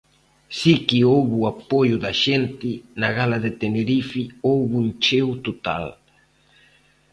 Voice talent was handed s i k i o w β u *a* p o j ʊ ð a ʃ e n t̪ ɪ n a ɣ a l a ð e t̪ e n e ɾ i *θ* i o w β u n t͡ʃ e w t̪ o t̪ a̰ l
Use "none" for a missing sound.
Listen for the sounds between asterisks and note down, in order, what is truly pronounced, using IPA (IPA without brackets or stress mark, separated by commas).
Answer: a, f